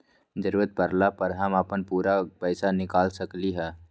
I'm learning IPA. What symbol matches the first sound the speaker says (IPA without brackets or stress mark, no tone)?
d͡ʒ